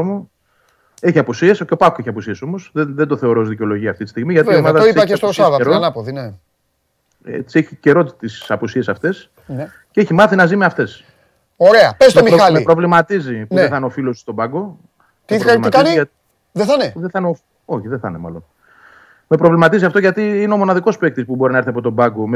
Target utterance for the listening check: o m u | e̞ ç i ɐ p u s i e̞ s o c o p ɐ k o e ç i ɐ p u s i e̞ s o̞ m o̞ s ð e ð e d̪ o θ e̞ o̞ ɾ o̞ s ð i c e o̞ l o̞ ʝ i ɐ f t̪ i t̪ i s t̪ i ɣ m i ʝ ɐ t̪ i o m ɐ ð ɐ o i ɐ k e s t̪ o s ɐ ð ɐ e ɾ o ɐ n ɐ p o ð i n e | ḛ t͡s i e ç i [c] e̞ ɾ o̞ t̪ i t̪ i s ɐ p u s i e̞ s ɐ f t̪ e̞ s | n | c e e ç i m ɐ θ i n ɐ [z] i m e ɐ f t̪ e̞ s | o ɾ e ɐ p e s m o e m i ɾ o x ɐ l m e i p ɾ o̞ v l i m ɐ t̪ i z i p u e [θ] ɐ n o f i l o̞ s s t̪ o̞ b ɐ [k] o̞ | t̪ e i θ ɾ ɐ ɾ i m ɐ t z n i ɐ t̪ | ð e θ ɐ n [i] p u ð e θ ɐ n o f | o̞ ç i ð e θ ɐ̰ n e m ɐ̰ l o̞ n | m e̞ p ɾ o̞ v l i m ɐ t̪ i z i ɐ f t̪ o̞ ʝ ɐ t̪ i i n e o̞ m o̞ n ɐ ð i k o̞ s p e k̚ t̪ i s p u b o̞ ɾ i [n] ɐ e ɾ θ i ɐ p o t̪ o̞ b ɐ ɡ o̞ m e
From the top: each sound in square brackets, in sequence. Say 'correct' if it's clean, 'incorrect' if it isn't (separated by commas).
correct, correct, correct, incorrect, incorrect, correct